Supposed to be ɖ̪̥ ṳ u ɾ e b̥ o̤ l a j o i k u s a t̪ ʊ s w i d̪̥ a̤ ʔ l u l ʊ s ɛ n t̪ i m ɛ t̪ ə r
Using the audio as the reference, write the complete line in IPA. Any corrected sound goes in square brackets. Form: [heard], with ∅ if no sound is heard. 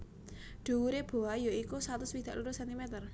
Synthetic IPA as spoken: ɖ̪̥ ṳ u ɾ e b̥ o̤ [∅] a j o i k u s a t̪ ʊ s w i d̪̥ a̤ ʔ l u [ɾ] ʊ s ɛ n t̪ i m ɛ t̪ ə r